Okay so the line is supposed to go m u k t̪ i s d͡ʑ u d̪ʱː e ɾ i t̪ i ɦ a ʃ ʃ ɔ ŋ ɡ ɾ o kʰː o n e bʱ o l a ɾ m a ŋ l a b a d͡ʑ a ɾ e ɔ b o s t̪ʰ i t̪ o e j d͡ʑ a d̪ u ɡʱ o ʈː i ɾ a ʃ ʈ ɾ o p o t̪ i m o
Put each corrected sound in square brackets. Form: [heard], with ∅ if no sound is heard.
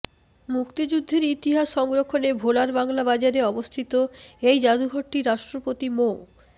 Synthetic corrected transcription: m u k t̪ i [∅] d͡ʑ u d̪ʱː e ɾ i t̪ i ɦ a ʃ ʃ ɔ ŋ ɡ ɾ o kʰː o n e bʱ o l a ɾ [b] a ŋ l a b a d͡ʑ a ɾ e ɔ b o s t̪ʰ i t̪ o e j d͡ʑ a d̪ u ɡʱ o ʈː i ɾ a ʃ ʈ ɾ o p o t̪ i m o